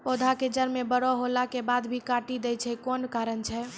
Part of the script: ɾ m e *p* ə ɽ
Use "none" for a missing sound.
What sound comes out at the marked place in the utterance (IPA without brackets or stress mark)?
b